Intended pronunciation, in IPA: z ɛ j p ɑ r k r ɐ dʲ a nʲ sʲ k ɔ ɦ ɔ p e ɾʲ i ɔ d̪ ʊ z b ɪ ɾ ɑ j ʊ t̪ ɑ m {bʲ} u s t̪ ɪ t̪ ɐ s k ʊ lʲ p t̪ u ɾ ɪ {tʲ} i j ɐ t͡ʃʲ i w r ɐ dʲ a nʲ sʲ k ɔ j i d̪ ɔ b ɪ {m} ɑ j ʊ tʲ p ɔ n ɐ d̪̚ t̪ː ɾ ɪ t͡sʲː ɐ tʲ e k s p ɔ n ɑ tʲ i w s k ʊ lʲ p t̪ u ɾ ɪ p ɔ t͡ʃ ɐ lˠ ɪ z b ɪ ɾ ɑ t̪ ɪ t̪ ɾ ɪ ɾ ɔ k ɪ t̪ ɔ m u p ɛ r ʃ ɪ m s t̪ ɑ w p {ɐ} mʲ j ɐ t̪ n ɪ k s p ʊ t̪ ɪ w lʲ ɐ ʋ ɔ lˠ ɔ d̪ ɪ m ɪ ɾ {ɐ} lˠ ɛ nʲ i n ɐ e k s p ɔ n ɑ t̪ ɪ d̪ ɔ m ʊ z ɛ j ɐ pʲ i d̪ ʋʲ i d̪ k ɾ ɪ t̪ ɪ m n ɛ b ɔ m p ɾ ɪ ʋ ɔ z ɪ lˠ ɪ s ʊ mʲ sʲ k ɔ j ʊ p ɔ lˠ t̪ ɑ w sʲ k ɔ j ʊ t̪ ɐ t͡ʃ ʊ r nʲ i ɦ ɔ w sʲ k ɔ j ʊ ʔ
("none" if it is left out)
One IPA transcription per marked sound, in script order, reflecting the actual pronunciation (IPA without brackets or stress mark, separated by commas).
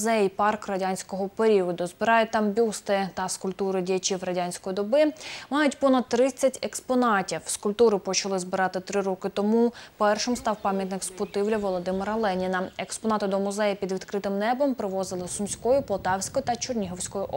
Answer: bʲ, dʲ, m, ɑ, ɐ